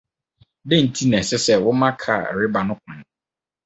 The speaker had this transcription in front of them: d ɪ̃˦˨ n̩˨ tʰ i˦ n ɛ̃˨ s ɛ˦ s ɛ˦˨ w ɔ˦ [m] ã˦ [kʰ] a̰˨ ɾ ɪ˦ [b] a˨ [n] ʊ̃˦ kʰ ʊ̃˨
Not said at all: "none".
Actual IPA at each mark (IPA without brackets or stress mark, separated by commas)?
m, kʰ, b, n